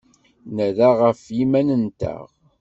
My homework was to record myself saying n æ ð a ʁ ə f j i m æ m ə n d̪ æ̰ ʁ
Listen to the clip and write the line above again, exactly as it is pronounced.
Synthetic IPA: n æ ð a ʁ ə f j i m æ n ə n t̪ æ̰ ʁ